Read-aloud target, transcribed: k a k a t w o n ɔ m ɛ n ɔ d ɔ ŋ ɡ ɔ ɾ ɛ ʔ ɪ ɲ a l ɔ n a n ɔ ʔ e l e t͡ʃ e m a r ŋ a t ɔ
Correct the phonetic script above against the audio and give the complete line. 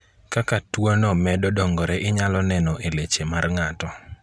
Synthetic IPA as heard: k a k a t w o n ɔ m ɛ d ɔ d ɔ ŋ ɡ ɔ ɾ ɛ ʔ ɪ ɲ a l ɔ n ɛ n ɔ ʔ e l e t͡ʃ e m a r ŋ a t ɔ